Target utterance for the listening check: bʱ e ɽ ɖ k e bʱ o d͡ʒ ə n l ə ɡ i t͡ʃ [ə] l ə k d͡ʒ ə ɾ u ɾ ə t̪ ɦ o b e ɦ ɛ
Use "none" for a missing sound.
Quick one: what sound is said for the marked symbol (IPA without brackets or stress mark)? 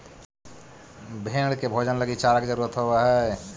a